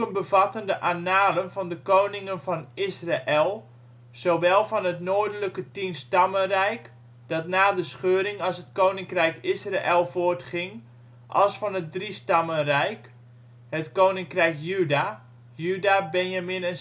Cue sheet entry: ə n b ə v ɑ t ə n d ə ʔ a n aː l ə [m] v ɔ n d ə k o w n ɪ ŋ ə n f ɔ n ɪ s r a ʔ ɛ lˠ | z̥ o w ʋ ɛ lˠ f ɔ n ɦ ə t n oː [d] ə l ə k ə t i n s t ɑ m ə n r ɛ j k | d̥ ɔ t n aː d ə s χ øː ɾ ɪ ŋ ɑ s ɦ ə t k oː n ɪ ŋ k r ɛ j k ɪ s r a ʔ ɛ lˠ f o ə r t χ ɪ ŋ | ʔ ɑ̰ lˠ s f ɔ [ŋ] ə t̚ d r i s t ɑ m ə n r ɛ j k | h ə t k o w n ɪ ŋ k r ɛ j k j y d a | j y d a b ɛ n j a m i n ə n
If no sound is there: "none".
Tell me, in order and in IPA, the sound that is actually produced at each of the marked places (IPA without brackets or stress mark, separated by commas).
n, d, n